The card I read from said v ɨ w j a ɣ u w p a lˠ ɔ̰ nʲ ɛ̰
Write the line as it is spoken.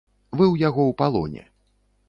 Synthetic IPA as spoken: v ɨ w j a ɣ ɔ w p a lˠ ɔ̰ nʲ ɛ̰